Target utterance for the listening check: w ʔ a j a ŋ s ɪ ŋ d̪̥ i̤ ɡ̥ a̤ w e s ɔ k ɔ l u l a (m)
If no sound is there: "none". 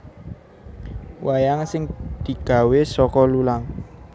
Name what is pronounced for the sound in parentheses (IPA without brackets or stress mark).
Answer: ŋ